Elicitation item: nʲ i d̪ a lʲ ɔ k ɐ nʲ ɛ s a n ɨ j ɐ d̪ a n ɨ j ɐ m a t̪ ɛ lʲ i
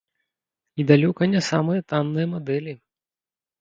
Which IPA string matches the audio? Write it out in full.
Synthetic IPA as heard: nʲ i d̪ a lʲ ɔ k ɐ nʲ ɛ s a m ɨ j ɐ t̪ a nː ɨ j ɐ m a d̪ ɛ lʲ i